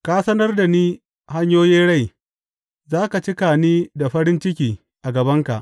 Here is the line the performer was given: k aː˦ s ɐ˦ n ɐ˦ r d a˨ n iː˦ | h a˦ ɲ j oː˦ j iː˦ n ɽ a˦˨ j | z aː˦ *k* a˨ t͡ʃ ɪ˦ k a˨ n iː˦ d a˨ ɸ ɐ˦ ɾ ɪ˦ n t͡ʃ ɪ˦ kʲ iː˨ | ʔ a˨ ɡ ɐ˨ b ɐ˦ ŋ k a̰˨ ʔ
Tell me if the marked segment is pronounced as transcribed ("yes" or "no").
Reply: yes